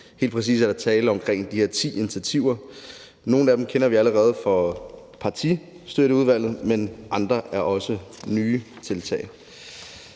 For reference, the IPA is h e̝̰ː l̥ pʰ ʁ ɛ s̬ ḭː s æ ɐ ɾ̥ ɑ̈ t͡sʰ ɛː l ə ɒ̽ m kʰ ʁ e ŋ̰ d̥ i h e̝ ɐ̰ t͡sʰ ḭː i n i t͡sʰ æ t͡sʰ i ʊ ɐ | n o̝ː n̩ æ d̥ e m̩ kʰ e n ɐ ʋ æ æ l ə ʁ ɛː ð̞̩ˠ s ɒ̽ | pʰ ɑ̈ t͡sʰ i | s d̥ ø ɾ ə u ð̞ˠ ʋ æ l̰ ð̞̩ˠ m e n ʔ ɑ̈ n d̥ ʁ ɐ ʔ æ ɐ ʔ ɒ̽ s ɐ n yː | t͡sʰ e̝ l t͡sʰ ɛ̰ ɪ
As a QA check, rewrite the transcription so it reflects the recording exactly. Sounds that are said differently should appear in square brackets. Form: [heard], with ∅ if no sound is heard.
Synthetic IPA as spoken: h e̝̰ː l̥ pʰ ʁ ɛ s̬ ḭː s æ ɐ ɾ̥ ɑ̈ t͡sʰ ɛː l ə ɒ̽ m kʰ ʁ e ŋ̰ d̥ i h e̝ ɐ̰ t͡sʰ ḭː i n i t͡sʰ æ t͡sʰ i ʊ ɐ | n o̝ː n̩ æ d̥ e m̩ kʰ e n ɐ ʋ [i] æ l ə ʁ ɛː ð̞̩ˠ [f] ɒ̽ | pʰ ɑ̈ t͡sʰ i | s d̥ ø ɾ ə u ð̞ˠ ʋ æ l̰ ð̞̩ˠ m e n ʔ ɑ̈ n d̥ ʁ ɐ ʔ æ ɐ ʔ ɒ̽ s [ə] n yː | t͡sʰ e̝ l t͡sʰ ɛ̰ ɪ